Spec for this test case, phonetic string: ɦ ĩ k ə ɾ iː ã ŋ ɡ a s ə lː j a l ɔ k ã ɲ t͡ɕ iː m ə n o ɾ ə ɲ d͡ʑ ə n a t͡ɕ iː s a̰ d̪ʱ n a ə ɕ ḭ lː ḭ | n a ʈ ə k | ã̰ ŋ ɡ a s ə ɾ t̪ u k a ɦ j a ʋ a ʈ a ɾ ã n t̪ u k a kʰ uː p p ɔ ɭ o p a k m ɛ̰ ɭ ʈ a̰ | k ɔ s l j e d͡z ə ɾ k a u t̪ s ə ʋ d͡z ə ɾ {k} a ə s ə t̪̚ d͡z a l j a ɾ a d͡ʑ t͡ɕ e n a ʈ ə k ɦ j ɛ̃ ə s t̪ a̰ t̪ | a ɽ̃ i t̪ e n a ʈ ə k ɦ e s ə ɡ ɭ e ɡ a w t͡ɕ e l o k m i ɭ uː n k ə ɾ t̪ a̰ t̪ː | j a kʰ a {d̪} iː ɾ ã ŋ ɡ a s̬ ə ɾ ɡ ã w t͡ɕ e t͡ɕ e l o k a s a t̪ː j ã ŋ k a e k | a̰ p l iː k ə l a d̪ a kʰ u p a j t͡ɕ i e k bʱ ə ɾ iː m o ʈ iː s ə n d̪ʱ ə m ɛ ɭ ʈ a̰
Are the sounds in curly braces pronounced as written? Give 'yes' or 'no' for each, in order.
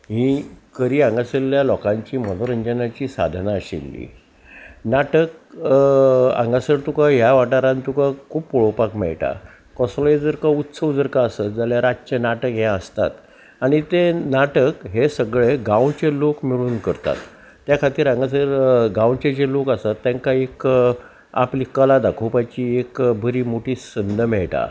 yes, no

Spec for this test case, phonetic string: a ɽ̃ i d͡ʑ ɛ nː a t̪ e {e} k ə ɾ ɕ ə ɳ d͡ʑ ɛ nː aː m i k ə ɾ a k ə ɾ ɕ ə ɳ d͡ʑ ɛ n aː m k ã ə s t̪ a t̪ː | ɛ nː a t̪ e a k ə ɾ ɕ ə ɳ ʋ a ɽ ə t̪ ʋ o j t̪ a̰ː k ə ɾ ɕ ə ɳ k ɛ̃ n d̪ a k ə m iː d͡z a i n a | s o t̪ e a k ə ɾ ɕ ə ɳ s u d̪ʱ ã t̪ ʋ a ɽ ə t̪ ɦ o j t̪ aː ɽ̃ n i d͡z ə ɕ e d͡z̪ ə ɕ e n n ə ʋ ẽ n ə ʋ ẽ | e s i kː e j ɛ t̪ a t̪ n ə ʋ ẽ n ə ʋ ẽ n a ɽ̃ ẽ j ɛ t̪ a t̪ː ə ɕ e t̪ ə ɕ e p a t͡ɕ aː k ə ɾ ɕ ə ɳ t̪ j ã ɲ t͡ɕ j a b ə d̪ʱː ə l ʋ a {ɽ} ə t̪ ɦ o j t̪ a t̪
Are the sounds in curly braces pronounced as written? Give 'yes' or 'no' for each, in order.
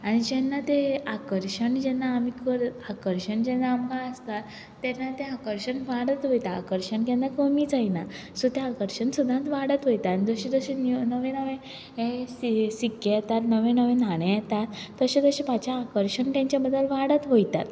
no, yes

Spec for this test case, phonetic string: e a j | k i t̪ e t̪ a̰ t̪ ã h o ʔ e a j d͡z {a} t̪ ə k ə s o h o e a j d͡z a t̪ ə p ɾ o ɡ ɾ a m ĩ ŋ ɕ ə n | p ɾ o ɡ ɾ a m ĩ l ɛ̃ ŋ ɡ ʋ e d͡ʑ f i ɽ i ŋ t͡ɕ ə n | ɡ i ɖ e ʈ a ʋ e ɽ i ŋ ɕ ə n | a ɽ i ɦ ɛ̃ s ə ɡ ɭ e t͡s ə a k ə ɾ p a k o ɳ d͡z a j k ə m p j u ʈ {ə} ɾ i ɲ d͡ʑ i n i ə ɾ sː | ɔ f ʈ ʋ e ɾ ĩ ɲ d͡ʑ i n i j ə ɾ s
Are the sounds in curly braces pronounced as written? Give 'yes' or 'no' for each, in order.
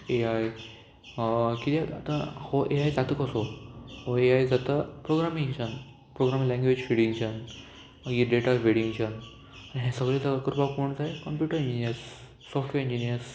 yes, yes

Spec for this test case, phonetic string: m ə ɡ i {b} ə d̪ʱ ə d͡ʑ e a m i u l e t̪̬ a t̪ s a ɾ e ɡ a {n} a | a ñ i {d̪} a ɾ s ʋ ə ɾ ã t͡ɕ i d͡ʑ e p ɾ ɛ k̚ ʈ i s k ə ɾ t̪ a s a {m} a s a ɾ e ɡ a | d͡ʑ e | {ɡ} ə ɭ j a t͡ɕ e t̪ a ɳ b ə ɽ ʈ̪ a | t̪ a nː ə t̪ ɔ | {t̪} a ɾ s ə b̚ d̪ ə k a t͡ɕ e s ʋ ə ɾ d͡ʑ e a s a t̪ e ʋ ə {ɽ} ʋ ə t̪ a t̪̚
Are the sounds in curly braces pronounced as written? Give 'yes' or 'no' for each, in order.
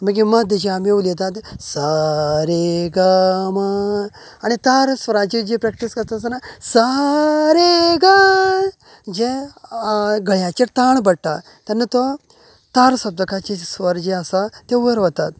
no, no, no, no, yes, yes, no

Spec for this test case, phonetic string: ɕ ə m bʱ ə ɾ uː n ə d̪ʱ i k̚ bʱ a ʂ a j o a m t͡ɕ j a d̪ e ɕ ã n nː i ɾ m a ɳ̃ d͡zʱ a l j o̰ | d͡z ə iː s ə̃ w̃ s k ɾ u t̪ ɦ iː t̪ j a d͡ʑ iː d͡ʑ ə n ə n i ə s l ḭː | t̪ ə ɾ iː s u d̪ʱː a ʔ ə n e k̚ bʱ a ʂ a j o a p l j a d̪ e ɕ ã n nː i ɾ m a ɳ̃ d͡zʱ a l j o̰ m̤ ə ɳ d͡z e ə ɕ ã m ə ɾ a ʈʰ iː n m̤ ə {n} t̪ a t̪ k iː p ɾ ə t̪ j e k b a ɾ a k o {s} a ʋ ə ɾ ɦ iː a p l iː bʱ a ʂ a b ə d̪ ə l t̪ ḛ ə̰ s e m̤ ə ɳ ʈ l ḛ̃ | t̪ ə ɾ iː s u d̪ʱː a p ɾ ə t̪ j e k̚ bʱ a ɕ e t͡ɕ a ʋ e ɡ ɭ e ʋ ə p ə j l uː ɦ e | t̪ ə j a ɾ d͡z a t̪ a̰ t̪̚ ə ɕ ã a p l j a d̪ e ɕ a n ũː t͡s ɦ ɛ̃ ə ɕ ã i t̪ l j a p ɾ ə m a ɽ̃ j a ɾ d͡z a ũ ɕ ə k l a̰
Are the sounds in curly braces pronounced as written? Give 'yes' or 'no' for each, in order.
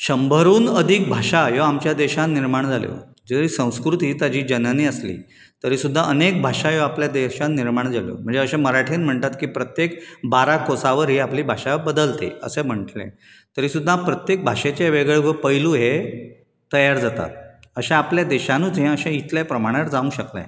no, yes

